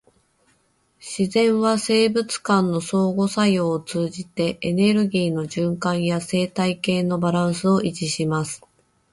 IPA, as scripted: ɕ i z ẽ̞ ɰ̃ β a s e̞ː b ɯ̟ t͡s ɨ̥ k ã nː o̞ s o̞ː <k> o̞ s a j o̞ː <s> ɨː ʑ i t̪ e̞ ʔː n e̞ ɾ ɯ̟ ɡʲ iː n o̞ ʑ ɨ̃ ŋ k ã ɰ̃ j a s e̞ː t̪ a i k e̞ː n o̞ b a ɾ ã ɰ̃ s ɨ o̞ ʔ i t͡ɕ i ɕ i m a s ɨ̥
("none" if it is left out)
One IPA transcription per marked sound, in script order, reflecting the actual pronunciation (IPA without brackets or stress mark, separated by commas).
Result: ɡ, t͡s